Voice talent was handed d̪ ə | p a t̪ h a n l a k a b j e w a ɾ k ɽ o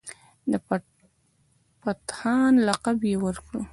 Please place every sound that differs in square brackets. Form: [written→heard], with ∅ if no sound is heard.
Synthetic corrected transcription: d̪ ə | p a t̪ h [a→ɑ] n l a [k→q] a b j e w [a→ə] ɾ k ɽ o